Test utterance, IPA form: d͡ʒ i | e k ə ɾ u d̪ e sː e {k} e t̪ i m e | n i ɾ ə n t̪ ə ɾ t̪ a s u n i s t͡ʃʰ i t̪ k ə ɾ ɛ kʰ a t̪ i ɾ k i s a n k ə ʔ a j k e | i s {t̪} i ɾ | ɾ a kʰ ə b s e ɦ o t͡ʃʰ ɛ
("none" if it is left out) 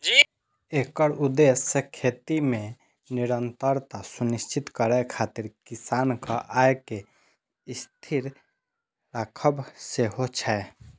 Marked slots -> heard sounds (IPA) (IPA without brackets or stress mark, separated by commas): kʰ, t̪ʰ